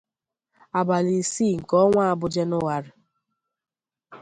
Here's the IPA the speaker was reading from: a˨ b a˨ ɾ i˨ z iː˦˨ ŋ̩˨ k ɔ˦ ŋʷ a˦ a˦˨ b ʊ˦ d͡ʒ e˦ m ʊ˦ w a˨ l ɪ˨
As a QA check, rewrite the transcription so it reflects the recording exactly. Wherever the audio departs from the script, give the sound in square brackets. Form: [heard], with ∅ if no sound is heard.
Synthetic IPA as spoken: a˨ b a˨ [l] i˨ [s] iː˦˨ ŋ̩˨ k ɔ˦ ŋʷ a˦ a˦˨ b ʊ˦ d͡ʒ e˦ [n] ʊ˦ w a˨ [ɾ] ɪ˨